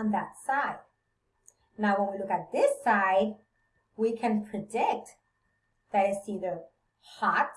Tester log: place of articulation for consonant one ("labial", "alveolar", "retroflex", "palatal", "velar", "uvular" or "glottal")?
alveolar